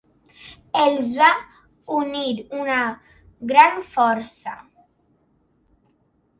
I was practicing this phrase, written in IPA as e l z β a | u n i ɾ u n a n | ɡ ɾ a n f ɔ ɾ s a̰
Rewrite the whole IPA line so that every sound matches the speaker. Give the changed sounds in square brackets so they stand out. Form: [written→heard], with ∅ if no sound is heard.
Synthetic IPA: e l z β a | u n i ɾ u n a [n→∅] | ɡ ɾ a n f ɔ ɾ s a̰